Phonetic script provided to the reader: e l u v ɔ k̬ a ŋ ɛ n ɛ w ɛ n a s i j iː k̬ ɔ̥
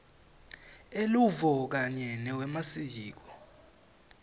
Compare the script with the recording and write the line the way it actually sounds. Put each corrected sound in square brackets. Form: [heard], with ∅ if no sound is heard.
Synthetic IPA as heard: e l u v ɔ k̬ a [ɲ] ɛ n ɛ w ɛ [m] a s i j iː k̬ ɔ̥